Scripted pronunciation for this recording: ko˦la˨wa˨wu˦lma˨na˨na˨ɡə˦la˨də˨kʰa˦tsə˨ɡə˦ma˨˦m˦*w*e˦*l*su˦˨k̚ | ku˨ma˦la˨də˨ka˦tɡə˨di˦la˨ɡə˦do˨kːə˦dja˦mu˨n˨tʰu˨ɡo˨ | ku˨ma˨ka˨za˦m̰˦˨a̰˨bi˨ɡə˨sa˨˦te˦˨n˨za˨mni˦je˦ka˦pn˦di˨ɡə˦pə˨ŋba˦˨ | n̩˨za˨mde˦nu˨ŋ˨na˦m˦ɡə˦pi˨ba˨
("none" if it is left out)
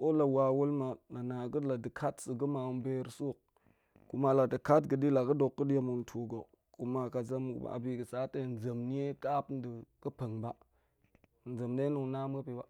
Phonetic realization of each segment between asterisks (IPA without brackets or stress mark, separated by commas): b, ɾ